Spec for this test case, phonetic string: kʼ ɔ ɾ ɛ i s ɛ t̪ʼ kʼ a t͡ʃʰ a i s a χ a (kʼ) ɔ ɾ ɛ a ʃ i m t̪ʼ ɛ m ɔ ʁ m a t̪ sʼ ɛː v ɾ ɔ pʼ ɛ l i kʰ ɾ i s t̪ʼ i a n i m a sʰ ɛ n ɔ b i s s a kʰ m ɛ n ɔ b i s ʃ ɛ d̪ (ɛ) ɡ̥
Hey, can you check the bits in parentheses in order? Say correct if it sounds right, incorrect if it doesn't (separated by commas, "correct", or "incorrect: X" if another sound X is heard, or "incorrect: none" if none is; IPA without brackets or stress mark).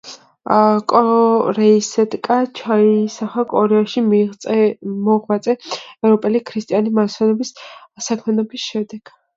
correct, correct